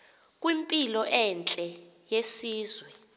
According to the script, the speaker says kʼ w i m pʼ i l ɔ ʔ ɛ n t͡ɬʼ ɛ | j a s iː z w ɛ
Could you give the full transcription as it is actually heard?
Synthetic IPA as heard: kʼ w i m pʼ i l ɔ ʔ ɛ n t͡ɬʼ ɛ | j e s iː z w ɛ